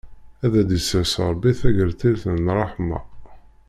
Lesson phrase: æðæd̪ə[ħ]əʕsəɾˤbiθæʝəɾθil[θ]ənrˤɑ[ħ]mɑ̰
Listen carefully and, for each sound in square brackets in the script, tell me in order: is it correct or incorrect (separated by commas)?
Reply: incorrect, correct, correct